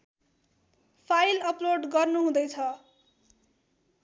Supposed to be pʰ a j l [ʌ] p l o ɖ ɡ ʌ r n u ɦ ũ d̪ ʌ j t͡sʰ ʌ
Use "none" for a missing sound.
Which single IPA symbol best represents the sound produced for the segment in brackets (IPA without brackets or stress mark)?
ʌ